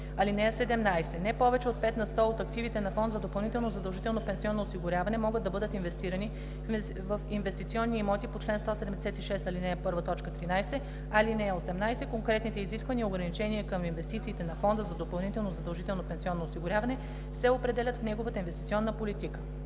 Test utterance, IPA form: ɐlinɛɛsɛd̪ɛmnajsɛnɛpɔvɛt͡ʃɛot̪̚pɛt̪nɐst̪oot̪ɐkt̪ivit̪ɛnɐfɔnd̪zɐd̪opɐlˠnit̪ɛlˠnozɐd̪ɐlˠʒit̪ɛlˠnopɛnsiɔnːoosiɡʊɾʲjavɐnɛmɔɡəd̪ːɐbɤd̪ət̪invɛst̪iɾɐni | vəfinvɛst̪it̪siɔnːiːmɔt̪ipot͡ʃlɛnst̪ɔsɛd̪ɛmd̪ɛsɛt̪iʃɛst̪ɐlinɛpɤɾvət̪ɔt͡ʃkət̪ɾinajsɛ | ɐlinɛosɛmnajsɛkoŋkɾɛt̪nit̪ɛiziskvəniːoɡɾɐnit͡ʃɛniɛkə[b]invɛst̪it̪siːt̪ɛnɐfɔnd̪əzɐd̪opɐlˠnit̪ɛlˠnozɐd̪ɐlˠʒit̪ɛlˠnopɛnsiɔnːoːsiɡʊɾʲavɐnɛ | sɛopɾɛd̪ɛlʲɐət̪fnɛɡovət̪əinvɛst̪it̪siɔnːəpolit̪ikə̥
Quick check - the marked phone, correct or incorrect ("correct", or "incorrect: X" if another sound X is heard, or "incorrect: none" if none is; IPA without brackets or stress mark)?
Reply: incorrect: m